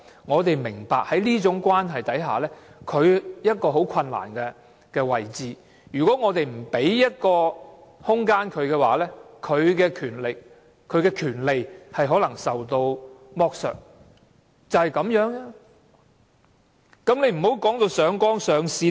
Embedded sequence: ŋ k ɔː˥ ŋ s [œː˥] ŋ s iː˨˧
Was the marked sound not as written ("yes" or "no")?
yes